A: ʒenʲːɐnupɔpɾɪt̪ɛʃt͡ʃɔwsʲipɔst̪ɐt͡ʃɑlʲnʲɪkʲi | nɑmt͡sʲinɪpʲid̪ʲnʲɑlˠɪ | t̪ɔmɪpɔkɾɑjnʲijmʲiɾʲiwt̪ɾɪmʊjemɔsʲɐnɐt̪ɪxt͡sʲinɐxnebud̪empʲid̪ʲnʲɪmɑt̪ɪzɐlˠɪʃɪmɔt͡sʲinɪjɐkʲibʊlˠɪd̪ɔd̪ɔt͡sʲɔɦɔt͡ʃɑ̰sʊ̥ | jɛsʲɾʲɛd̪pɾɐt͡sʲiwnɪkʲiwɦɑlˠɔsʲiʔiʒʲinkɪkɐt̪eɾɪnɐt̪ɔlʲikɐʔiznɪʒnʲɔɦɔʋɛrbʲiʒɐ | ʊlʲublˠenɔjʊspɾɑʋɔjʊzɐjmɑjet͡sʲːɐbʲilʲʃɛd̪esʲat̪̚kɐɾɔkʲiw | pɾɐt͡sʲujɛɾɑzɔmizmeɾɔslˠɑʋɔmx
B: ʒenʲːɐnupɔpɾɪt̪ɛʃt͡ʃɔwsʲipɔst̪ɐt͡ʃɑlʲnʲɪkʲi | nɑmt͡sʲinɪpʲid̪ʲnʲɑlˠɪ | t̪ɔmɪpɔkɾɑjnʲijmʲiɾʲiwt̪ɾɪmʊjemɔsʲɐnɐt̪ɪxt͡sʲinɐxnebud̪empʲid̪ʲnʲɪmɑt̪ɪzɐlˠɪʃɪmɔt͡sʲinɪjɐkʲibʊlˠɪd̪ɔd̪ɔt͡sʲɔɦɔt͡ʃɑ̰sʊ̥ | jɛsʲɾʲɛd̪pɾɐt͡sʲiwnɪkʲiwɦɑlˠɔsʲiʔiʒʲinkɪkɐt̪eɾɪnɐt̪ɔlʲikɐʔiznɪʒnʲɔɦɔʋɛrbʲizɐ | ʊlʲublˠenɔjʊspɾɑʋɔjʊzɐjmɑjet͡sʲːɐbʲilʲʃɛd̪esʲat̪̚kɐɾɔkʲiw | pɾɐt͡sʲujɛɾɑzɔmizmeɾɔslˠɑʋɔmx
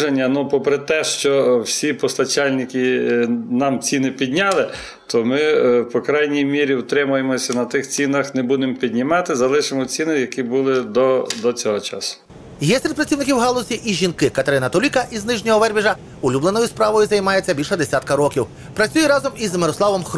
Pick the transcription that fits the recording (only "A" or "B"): A